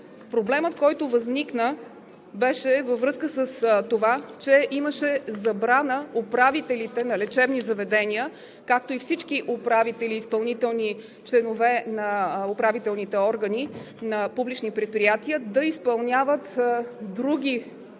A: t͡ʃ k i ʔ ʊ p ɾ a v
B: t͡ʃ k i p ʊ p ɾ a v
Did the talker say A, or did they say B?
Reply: A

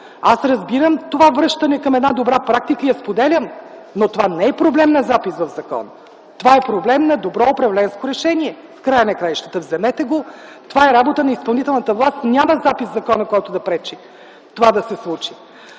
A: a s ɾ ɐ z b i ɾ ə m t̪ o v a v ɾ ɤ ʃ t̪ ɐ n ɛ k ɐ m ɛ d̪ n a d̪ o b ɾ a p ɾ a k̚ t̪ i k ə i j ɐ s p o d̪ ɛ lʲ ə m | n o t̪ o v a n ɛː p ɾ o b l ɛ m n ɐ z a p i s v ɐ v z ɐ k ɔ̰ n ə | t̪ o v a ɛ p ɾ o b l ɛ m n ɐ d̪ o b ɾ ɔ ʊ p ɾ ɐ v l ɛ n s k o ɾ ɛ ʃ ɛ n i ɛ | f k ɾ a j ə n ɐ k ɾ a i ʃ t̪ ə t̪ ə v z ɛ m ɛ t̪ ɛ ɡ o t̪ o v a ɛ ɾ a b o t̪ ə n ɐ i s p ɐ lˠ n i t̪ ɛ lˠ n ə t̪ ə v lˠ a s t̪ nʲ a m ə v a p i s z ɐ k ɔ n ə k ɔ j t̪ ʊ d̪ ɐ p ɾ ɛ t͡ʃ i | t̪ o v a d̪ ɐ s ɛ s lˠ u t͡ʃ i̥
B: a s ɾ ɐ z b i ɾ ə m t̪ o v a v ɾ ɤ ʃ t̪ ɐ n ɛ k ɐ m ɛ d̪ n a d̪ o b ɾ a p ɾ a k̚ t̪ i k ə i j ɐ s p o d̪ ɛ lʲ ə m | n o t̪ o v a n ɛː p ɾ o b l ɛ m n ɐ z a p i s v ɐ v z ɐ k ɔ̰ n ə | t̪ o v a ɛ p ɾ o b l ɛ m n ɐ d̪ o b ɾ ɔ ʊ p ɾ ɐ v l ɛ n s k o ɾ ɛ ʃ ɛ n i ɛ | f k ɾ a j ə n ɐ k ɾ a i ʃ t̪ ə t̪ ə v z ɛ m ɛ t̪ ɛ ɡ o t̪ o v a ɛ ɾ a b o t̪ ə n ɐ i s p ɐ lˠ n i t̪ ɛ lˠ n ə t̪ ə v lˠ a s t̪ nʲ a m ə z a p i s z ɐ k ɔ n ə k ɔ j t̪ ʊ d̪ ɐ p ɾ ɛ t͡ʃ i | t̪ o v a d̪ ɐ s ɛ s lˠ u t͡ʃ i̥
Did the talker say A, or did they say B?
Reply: B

